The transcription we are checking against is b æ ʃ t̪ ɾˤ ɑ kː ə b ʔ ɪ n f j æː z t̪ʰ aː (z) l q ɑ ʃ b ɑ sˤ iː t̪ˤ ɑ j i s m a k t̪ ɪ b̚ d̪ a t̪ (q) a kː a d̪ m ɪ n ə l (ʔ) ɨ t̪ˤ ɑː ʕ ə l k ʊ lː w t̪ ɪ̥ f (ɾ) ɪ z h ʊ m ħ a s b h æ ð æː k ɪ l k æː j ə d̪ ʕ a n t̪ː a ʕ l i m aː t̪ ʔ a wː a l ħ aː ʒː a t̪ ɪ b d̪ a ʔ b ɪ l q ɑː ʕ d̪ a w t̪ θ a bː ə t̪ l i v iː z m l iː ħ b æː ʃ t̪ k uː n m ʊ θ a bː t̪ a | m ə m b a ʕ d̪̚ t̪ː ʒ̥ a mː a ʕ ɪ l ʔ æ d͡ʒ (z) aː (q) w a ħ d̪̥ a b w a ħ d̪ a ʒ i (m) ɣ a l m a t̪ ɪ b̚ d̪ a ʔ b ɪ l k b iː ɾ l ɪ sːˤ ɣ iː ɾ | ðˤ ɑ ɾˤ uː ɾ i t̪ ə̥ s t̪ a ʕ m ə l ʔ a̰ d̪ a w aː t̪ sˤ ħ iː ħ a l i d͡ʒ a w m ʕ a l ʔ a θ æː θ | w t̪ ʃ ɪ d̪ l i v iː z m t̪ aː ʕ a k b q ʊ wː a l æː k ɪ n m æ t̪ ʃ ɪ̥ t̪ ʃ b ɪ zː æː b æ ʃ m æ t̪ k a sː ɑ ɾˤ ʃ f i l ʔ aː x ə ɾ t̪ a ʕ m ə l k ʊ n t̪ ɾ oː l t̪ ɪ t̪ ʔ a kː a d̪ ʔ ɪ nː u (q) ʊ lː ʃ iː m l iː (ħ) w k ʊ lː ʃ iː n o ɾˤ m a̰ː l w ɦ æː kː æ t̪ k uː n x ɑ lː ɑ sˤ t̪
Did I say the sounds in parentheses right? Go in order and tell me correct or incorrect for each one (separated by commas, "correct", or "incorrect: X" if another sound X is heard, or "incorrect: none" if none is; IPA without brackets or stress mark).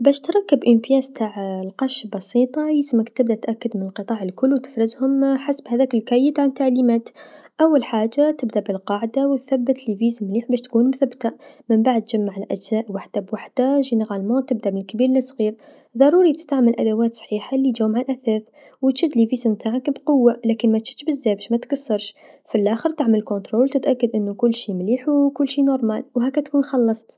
incorrect: ʕ, incorrect: ʔ, incorrect: q, correct, correct, incorrect: ʔ, incorrect: n, incorrect: k, correct